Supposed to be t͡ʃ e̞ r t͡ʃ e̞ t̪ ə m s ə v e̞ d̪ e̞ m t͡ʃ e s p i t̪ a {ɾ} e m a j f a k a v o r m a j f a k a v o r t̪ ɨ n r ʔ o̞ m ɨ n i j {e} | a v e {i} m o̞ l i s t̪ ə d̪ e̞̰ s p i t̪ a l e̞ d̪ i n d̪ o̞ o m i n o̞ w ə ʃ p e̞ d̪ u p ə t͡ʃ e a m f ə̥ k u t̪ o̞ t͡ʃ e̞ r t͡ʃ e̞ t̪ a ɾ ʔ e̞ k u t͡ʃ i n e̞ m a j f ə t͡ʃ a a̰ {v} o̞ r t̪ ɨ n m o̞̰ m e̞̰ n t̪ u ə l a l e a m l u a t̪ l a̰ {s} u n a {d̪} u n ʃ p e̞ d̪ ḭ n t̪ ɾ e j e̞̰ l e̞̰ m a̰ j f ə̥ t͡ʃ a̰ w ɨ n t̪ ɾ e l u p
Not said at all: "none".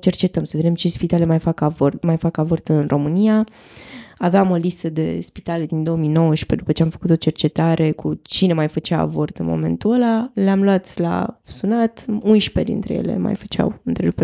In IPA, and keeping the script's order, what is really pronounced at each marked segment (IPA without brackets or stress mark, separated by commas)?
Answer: l, a, a, v, s, t̪